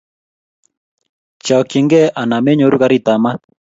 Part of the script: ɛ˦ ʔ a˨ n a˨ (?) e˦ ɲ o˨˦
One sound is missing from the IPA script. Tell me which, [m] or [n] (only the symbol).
m